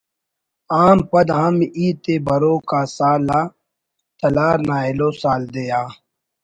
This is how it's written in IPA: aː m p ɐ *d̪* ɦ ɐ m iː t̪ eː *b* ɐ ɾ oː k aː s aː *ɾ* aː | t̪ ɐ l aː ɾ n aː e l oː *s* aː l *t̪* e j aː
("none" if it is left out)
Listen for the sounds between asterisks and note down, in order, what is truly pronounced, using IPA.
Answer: d̪, b, l, s, d̪

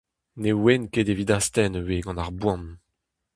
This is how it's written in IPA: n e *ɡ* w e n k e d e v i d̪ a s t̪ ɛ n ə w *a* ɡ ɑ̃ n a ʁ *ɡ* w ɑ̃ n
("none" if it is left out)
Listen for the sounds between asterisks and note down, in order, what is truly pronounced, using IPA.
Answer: none, e, b

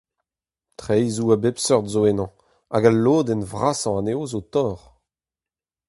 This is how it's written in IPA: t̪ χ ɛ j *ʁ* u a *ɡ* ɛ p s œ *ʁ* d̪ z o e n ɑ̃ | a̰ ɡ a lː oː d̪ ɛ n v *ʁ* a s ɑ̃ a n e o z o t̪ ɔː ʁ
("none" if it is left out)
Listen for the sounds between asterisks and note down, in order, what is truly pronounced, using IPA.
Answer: z, b, ʁ, ʁ

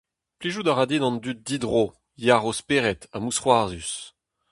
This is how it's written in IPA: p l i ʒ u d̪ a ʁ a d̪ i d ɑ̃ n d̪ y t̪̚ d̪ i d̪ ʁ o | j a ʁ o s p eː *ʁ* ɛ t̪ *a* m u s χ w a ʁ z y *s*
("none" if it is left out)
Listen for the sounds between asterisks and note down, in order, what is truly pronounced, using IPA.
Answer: ʁ, a, s

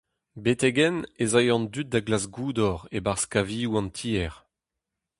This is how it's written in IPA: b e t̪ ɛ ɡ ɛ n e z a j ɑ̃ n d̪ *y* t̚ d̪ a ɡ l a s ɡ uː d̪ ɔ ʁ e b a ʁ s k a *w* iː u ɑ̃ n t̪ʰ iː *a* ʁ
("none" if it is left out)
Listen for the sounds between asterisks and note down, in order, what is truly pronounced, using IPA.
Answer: y, v, ɛ

